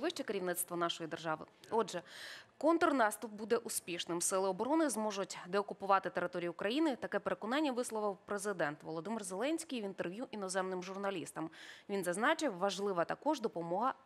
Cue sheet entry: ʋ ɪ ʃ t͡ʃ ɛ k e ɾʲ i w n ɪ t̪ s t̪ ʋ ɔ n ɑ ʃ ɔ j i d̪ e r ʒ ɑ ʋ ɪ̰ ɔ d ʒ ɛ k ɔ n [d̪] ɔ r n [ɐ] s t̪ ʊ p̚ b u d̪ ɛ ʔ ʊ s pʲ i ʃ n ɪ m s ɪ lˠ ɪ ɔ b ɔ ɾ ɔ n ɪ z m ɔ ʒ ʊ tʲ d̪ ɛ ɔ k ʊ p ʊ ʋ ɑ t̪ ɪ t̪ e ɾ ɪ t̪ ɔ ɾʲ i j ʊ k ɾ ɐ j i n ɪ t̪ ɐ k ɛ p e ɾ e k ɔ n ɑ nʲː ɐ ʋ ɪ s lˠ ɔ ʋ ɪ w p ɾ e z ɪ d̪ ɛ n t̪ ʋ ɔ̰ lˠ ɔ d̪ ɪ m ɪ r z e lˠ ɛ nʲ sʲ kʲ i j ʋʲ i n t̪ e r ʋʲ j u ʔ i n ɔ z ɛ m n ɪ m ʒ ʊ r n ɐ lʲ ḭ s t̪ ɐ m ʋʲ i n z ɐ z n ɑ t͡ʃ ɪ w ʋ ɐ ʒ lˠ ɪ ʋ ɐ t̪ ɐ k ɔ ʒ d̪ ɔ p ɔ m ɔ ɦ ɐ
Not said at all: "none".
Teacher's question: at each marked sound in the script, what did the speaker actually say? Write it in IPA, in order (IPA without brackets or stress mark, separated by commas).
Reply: t̪, ɑ